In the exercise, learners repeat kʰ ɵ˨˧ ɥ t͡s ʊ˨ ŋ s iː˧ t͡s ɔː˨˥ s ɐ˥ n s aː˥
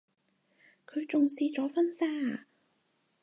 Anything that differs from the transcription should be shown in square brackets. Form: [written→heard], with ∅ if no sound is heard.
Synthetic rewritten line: kʰ ɵ˨˧ ɥ t͡s ʊ˨ ŋ s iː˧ t͡s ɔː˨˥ [s→f] ɐ˥ n s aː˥